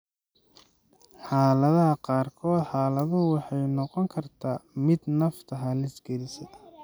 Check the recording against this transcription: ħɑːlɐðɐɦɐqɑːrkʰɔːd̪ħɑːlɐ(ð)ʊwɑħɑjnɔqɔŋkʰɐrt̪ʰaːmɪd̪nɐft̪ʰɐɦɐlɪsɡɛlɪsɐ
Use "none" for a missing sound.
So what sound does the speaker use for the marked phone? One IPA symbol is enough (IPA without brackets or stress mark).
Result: ð